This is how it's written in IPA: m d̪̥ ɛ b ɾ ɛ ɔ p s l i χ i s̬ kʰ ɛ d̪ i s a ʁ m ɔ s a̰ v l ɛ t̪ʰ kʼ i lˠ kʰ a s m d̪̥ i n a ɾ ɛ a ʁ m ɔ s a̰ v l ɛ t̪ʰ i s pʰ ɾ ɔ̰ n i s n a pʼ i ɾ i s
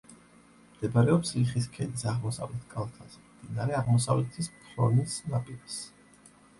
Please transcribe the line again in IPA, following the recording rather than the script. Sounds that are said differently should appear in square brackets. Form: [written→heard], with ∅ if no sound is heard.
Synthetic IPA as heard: m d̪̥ ɛ b ɾ ɛ ɔ p s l i χ i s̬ kʰ ɛ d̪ i s a ʁ m ɔ s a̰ v l ɛ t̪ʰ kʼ [i→a] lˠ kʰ a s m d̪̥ i n a ɾ ɛ a ʁ m ɔ s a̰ v l ɛ t̪ʰ i s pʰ ɾ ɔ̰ n i s n a pʼ i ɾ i s